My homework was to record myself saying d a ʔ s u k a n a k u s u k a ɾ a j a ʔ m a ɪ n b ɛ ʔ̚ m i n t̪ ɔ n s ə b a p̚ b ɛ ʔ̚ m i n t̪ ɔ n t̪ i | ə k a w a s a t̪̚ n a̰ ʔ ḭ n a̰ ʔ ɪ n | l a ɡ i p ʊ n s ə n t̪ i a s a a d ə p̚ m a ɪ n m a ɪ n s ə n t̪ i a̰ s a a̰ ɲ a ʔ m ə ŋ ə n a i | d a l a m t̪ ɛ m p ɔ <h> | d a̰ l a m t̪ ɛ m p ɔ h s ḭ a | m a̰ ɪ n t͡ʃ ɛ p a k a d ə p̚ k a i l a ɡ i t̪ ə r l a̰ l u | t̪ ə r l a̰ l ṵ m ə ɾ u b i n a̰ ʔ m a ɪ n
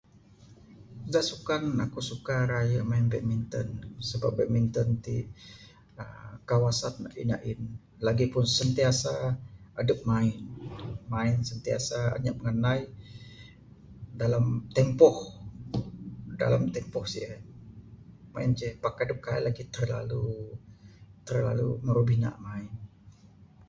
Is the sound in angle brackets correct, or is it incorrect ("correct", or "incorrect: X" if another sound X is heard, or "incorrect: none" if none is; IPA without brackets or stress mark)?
correct